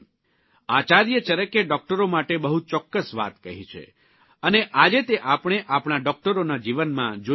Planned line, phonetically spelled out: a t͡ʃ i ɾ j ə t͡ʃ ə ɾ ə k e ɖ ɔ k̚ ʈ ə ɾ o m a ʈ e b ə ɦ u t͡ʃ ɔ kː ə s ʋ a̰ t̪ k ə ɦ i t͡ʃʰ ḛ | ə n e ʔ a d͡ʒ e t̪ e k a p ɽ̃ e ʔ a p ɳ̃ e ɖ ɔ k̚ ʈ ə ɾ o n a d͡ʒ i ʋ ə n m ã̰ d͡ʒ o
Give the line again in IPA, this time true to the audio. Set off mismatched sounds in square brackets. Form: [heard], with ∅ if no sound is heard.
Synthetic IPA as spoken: a t͡ʃ [a] ɾ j ə t͡ʃ ə ɾ ə k e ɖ ɔ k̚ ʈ ə ɾ o m a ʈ e b ə ɦ u t͡ʃ ɔ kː ə s ʋ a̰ t̪ k ə ɦ i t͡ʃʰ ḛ | ə n e ʔ a d͡ʒ e t̪ e [ʔ] a p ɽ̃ e ʔ a p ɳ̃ [a] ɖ ɔ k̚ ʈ ə ɾ o n a d͡ʒ i ʋ ə n m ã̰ d͡ʒ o